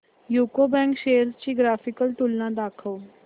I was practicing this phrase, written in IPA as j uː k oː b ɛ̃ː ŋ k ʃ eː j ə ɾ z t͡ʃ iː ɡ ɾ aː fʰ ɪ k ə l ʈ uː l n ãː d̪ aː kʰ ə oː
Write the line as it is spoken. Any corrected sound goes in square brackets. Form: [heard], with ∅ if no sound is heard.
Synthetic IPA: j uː k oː b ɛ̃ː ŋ k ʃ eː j ə ɾ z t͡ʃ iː ɡ ɾ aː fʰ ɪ k ə l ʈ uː l n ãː d̪ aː kʰ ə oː